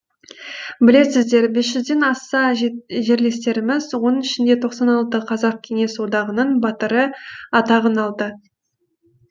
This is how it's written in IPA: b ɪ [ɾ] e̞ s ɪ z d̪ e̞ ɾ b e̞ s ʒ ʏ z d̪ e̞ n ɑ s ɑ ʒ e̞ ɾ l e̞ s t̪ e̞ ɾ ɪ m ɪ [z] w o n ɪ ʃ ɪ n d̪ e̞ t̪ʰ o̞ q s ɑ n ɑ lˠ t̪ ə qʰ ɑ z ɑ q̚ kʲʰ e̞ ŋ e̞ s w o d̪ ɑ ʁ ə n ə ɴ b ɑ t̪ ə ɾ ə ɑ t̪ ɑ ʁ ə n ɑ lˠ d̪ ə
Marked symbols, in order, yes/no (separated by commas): no, yes